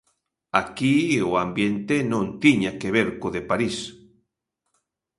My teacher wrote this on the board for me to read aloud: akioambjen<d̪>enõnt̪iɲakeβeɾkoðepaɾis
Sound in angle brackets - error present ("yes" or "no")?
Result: yes